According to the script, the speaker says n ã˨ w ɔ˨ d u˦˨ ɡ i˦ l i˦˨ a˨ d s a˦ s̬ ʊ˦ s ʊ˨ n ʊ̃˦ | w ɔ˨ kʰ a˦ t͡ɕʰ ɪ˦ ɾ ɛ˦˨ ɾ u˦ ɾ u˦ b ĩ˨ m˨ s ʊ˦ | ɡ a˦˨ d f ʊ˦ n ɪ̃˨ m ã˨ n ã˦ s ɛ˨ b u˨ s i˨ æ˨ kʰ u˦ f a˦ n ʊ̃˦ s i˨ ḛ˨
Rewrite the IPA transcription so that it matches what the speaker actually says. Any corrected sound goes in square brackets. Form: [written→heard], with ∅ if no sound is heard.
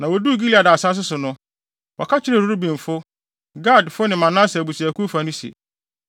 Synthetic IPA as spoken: n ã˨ w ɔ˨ d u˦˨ ɡ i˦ l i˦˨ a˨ d s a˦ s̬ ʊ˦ s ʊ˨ n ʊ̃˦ | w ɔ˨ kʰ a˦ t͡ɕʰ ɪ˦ ɾ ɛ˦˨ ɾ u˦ ɾ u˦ b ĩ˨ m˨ [s→f] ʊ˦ | ɡ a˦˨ d f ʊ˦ n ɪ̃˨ m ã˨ n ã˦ s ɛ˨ b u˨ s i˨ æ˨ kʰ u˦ f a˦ n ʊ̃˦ s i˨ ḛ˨

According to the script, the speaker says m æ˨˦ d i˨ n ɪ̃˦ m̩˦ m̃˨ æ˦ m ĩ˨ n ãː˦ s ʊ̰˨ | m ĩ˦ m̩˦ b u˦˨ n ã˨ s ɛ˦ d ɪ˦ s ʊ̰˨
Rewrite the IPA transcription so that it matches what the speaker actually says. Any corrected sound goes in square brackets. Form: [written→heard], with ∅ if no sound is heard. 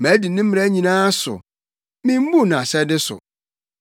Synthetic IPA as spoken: m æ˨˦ d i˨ n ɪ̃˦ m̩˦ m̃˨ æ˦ [m→ɲ] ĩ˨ n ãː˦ s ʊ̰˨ | m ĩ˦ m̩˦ b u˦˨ n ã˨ s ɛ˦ d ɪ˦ s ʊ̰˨

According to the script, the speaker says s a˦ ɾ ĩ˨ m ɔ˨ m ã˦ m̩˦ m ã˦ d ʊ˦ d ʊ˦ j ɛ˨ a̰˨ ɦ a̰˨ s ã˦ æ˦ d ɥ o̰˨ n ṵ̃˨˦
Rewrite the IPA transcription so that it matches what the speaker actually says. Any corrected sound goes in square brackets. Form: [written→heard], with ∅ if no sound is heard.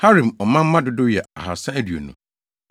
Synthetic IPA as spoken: [s→h] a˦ ɾ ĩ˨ m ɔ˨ m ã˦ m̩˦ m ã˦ d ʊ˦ d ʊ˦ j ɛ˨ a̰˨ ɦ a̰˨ s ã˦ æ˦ d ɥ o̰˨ n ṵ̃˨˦

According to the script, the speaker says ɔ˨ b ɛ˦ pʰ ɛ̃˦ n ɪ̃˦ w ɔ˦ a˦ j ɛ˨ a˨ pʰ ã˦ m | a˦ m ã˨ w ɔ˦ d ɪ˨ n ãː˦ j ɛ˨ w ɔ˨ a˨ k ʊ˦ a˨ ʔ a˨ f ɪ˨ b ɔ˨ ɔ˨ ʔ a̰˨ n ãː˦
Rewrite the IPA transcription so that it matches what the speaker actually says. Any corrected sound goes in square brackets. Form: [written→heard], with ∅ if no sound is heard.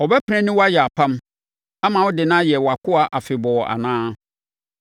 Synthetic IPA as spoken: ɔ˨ b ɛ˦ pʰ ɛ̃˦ n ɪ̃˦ w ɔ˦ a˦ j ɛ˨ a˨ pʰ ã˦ m | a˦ m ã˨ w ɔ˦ d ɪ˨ n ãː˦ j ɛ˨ w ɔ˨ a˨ k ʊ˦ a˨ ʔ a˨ f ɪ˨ b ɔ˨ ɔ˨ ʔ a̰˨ n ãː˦

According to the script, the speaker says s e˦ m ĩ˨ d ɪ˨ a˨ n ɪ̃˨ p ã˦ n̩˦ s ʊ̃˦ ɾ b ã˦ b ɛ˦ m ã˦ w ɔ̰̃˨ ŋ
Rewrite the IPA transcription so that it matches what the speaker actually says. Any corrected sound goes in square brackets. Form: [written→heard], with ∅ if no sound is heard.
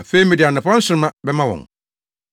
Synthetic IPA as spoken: [s→f] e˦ m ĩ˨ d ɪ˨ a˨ n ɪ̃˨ p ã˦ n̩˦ s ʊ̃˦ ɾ [b→m] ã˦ b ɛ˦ m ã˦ w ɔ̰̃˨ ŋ

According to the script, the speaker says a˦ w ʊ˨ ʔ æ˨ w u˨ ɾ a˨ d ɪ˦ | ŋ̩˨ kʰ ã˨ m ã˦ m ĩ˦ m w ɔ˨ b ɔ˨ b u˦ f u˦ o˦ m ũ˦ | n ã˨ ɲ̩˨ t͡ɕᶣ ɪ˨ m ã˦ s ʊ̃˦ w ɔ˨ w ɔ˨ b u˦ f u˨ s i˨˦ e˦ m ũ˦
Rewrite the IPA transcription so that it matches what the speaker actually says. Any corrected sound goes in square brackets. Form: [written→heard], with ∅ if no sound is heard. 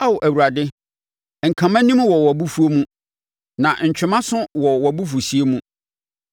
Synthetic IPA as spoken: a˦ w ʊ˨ ʔ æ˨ w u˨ ɾ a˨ d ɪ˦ | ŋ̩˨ kʰ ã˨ m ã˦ [m→n] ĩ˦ m w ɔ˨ [b→w] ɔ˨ b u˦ f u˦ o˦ m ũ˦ | n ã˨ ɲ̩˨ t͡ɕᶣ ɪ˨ m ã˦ s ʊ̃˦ w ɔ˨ w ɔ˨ b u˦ f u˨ s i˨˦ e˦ m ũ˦

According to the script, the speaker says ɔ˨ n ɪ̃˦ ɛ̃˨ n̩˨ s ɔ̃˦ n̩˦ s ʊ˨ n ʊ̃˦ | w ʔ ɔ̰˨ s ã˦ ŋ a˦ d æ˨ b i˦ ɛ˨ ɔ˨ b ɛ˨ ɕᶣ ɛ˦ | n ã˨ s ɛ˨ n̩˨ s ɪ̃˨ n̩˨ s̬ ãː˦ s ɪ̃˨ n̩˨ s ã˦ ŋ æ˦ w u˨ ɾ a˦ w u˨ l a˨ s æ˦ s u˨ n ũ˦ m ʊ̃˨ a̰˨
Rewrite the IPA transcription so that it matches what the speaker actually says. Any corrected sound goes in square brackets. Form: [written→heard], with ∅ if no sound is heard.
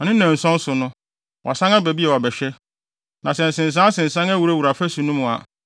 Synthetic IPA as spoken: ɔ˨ n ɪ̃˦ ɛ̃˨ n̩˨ s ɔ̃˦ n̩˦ s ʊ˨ n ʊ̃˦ | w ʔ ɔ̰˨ s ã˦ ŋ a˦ [d→b] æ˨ b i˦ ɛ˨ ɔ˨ b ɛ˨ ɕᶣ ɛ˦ | n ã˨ s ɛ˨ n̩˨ s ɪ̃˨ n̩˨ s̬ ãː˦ s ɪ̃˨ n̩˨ s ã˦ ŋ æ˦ w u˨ ɾ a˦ w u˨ [l→ɾ] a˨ [s→f] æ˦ s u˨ n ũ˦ m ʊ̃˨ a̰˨

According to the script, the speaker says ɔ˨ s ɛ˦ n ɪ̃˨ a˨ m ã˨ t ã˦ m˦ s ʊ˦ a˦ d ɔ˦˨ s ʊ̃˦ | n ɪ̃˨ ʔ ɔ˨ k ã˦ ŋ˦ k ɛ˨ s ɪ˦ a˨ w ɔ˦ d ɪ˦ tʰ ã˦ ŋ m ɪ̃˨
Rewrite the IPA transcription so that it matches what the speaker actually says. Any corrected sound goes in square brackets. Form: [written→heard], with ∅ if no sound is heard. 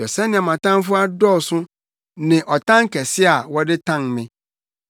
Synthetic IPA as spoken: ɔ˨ s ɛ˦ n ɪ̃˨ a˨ m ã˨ t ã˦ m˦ [s→f] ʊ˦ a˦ d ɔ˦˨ s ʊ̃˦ | n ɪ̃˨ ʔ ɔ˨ [k→t] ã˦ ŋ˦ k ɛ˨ s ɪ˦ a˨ w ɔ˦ d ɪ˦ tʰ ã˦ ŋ m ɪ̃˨

